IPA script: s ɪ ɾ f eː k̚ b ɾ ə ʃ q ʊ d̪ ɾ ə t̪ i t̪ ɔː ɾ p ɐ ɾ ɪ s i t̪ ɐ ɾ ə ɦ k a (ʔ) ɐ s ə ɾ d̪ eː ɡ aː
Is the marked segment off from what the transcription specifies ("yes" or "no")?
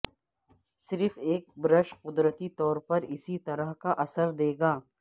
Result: no